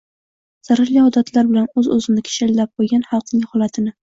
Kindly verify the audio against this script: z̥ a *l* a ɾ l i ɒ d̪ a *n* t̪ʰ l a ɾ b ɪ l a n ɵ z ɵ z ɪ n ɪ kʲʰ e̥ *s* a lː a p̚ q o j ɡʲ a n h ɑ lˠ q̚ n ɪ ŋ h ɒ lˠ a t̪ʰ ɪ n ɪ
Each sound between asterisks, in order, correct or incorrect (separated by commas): incorrect, incorrect, incorrect